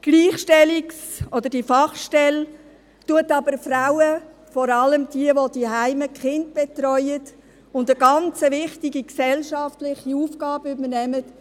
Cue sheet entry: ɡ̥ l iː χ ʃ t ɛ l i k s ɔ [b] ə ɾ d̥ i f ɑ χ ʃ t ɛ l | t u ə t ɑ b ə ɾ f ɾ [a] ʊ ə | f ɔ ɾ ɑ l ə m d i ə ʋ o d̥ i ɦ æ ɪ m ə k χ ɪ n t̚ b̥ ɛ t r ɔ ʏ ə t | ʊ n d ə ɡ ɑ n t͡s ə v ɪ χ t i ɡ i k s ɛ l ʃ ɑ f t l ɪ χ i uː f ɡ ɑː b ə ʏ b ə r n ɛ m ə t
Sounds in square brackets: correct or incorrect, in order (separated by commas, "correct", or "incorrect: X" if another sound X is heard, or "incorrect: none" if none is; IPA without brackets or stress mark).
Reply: incorrect: d, correct